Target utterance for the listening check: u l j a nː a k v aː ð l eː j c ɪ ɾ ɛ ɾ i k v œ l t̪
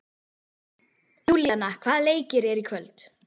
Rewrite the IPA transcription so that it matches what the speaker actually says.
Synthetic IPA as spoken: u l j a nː a kʰ v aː ð l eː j c ɪ ɾ ɛ ɾ i kʰ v œ l t̪

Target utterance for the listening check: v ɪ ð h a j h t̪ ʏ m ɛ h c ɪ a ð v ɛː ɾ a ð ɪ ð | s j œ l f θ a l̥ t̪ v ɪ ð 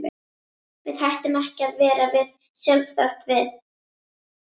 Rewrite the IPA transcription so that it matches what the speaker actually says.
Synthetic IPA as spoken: v ɪ ð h a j h t̪ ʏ m ɛ h c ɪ a ð v ɛː ɾ a v ɪ ð | s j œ l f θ a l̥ t̪ v ɪ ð

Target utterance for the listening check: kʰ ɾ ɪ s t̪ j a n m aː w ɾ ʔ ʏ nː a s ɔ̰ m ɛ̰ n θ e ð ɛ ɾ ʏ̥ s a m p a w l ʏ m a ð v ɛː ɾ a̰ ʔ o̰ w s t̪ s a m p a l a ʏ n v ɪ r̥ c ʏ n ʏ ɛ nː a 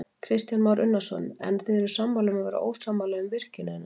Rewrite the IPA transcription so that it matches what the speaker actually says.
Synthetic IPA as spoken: kʰ ɾ ɪ s t̪ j a n m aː w ɾ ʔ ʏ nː a s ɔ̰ n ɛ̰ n θ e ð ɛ ɾ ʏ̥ s a m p a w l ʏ m a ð v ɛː ɾ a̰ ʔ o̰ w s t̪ s a m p a l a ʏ m v ɪ r̥ c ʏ n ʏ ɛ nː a

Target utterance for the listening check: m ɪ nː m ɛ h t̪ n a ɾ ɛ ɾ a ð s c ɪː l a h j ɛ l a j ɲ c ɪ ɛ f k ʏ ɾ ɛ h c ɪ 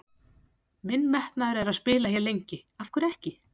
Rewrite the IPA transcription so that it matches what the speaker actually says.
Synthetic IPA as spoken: m ɪ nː m ɛ h t̪ n a ɾ ɛ ɾ a ð s p ɪː l a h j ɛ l e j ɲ c ɪ a f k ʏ ɾ ɛ h c ɪ

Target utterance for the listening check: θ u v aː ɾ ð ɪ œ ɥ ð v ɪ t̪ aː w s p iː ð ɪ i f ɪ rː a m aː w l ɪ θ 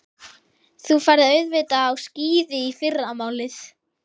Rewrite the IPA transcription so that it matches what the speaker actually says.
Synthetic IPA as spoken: θ u f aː ɾ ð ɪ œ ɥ ð v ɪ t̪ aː w s c iː ð ɪ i f ɪ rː a m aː w l ɪ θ

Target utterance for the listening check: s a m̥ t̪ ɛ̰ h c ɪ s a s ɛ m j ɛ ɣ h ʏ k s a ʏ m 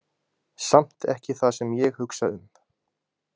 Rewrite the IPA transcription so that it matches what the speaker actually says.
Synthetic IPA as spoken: s a m̥ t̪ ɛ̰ h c ɪ θ a s ɛ m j ɛ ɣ h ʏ k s a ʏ m

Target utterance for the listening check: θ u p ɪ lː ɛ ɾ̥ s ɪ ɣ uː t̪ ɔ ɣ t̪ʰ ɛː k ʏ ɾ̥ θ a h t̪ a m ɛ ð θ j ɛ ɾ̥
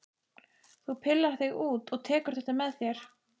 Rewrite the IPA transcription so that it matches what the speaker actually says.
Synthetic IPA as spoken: θ u pʰ ɪ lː a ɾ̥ θ ɪ ɣ uː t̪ ɔ ɣ t̪ʰ ɛː k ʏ ɾ̥ θ ɛ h t̪ a m ɛ ð θ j ɛ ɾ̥

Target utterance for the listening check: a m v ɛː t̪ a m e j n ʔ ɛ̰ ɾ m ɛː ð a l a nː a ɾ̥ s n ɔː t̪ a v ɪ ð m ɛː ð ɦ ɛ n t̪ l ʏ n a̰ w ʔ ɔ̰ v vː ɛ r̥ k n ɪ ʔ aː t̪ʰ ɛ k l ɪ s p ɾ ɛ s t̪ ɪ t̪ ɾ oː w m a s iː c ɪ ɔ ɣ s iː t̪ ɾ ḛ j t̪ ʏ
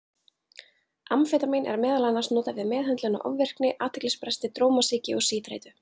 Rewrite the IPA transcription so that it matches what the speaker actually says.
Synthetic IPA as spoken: a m f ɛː t̪ a m e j n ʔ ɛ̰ ɾ m ɛː ð a l a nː a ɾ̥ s n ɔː t̪ a v ɪ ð m ɛː ð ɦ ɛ n t̪ l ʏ n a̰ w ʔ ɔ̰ v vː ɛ r̥ k n ɪ ʔ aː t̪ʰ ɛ k l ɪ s p ɾ ɛ s t̪ ɪ t̪ ɾ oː w m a s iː c ɪ ɔ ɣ s iː t̪ ɾ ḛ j t̪ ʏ

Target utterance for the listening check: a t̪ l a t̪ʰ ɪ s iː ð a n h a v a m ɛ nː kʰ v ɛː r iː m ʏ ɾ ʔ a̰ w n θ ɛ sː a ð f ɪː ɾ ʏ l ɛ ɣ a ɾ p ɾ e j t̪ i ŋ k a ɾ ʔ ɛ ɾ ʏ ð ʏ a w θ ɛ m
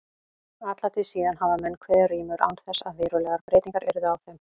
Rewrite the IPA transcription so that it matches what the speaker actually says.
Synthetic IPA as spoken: a t̪ l a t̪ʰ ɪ s iː ð a n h a v a m ɛ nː kʰ v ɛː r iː m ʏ ɾ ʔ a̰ w n θ ɛ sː a ð v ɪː ɾ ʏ l ɛ ɣ a ɾ p ɾ e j t̪ i ŋ k a ɾ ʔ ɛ ɾ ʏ ð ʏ a w θ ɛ m

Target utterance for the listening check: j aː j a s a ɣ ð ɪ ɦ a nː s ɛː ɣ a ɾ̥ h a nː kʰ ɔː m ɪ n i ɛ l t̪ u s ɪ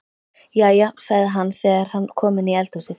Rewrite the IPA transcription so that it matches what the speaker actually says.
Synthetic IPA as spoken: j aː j a s a ɣ ð ɪ ɦ a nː θ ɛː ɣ a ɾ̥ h a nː kʰ ɔː m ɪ n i ɛ l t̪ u s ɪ

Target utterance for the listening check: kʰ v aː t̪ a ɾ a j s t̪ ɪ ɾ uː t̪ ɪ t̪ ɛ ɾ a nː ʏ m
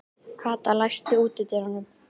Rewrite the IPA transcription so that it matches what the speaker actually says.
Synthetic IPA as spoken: kʰ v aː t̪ a l a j s t̪ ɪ uː t̪ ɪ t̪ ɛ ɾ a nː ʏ m

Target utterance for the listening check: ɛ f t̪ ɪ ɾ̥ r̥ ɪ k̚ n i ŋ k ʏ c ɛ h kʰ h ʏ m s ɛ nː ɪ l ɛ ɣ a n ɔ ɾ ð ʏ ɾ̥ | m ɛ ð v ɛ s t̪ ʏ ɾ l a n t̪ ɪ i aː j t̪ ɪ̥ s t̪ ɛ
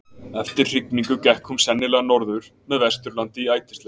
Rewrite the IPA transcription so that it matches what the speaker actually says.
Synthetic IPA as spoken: ɛ f t̪ ɪ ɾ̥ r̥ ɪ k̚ n i ŋ k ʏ c ɛ h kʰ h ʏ m s ɛ nː ɪ l ɛ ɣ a n ɔ ɾ ð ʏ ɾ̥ | m ɛ ð v ɛ s t̪ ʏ ɾ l a n t̪ ɪ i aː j t̪ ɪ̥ s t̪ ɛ

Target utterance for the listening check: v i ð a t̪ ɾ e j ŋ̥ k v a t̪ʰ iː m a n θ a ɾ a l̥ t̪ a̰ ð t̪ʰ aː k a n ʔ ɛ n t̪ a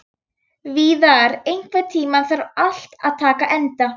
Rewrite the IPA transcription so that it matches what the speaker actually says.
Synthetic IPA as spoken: v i ð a ɾ e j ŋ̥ k v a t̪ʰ iː m a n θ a ɾ a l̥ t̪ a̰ ð t̪ʰ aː k a ʔ ɛ n t̪ a

